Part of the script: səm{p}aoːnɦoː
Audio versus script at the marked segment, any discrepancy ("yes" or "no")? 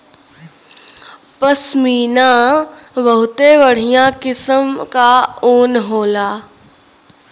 yes